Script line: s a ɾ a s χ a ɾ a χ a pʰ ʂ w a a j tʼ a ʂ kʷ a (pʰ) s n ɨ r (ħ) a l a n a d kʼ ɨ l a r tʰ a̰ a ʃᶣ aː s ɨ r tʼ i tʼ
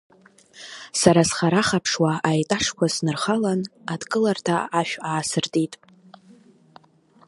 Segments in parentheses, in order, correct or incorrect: incorrect, incorrect

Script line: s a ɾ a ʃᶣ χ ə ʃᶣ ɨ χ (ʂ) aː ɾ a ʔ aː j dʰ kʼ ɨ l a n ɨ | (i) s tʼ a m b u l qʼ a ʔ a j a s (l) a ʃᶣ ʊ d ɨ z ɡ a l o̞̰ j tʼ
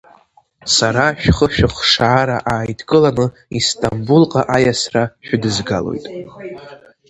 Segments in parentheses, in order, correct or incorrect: correct, correct, incorrect

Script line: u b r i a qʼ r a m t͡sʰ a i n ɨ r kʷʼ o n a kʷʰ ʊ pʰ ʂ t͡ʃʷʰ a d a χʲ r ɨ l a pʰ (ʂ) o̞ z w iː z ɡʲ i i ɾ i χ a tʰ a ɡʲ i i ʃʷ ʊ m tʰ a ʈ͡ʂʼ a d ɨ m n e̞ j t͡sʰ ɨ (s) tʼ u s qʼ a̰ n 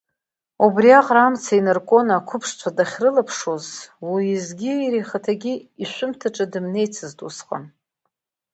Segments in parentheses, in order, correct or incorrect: correct, incorrect

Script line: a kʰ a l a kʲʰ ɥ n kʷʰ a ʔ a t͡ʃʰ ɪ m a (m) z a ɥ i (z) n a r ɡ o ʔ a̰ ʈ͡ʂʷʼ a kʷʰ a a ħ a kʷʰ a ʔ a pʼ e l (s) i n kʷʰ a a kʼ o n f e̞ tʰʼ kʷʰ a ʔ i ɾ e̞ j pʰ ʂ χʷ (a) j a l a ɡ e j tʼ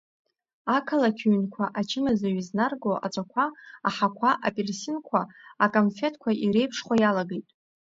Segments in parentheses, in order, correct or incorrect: incorrect, correct, correct, correct

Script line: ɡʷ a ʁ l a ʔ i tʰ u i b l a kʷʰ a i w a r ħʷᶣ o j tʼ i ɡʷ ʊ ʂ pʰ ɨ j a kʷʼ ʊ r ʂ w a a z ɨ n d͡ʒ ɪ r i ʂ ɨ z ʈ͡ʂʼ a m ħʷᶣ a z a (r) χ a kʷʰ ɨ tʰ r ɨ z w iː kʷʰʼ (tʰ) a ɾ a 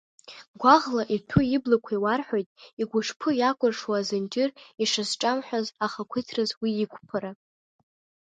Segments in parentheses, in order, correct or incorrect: incorrect, incorrect

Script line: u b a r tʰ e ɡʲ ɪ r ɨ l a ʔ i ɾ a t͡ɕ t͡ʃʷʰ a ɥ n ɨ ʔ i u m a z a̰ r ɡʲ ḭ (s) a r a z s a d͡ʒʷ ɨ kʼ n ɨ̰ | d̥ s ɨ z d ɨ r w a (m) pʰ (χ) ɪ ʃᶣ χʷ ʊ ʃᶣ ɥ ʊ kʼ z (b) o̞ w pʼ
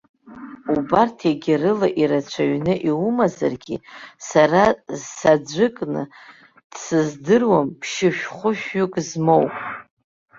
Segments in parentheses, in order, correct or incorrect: correct, correct, incorrect, incorrect

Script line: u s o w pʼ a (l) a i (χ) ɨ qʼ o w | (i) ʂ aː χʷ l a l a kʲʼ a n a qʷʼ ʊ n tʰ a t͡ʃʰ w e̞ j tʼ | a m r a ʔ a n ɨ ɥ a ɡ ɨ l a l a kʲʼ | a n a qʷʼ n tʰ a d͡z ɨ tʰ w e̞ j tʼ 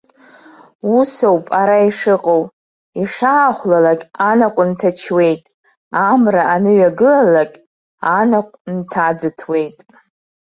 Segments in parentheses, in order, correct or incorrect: incorrect, incorrect, correct

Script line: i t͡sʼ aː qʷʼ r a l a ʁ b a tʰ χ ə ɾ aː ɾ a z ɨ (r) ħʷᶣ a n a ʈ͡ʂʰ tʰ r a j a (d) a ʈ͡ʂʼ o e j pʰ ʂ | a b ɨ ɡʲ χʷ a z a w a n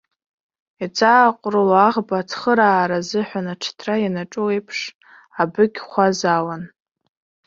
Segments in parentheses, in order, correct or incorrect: incorrect, incorrect

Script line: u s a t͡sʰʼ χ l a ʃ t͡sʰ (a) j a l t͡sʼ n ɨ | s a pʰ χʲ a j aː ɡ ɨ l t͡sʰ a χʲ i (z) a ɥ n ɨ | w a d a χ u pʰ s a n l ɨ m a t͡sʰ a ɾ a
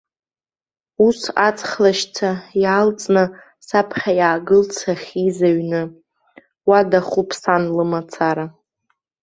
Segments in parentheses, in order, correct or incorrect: correct, correct

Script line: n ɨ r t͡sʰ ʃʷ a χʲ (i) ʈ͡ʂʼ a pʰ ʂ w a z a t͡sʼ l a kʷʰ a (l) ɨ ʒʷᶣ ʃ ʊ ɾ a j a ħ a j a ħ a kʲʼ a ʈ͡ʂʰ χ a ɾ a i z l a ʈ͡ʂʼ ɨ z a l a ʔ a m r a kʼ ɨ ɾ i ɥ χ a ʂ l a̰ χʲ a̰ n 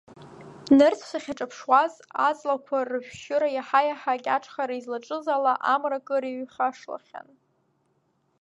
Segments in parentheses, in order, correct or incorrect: incorrect, incorrect

